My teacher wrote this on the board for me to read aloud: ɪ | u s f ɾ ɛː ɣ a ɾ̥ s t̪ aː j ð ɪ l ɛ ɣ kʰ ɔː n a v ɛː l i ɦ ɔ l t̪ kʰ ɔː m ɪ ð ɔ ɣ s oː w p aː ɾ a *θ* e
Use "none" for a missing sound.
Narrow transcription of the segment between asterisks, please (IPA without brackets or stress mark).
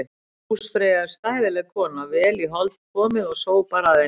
ð